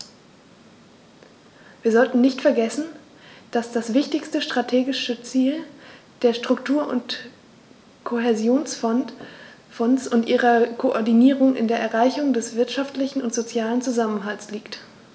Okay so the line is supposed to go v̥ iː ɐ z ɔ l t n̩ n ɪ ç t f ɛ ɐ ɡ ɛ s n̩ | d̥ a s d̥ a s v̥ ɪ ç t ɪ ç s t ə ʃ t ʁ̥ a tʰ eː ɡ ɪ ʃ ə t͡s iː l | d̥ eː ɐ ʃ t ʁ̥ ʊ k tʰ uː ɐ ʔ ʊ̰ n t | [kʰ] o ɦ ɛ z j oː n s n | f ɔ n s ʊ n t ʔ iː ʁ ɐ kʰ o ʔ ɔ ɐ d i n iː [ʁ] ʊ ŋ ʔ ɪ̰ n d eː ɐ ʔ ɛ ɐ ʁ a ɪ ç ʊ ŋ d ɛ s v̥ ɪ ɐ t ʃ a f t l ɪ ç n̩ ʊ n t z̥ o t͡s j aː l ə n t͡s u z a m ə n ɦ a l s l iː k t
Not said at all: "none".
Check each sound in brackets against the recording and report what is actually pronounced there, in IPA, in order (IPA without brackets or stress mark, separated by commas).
kʰ, ʁ